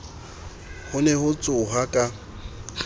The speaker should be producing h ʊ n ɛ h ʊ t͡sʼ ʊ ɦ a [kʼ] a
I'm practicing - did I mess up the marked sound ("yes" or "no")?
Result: no